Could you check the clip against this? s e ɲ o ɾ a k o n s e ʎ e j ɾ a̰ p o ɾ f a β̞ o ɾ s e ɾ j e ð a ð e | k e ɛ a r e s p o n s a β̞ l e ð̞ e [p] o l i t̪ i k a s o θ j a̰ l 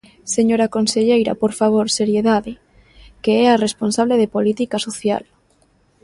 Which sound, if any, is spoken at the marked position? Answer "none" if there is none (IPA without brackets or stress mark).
p